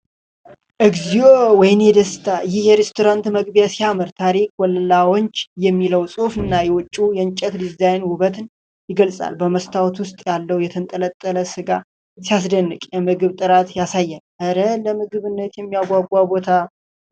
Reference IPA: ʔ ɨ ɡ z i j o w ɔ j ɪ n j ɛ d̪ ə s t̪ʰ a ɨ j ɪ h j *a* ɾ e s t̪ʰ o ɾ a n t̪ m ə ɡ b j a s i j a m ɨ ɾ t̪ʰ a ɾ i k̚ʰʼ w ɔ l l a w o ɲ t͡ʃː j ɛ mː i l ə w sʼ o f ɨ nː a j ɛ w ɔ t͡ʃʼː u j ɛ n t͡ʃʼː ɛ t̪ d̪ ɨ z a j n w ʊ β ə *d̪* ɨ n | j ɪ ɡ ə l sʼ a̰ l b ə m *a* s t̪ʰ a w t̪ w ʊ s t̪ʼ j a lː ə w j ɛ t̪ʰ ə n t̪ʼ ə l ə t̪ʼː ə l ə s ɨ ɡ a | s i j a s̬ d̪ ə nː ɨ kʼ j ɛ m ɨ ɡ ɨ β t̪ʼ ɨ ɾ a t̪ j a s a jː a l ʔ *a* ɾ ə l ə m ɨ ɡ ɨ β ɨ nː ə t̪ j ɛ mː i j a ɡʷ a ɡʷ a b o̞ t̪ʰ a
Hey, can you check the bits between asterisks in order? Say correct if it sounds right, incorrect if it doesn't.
incorrect, incorrect, incorrect, incorrect

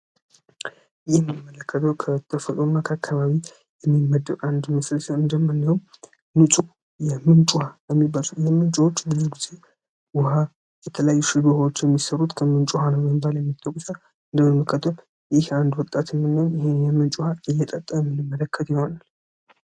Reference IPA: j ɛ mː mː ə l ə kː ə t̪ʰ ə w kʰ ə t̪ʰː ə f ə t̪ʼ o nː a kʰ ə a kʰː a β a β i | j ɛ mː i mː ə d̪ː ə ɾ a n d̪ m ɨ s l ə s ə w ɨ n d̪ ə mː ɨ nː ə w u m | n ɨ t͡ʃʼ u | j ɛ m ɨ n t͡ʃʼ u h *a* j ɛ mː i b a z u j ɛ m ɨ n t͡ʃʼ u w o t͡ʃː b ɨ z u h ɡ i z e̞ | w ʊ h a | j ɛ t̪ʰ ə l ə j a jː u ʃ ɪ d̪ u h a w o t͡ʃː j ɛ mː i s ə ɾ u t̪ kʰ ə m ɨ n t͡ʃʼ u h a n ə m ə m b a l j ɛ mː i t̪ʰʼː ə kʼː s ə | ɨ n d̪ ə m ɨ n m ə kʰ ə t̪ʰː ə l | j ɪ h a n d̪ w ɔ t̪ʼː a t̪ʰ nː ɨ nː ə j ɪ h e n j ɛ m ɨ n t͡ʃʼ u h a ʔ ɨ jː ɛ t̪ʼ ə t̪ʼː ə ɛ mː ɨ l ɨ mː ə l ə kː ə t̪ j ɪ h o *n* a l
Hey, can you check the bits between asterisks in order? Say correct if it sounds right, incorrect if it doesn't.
correct, correct

